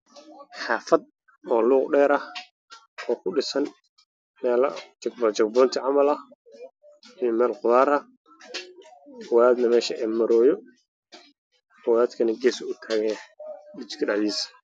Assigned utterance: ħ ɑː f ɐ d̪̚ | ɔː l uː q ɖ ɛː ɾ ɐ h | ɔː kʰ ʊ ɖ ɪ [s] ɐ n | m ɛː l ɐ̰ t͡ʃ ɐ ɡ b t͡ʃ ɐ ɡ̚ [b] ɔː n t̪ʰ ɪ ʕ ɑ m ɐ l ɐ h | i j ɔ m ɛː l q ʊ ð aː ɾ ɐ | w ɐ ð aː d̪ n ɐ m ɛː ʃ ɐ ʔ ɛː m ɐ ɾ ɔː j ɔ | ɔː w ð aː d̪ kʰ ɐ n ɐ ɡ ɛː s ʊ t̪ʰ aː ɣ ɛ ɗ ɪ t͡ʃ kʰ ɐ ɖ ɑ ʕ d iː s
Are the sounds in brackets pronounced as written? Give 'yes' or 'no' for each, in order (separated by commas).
yes, yes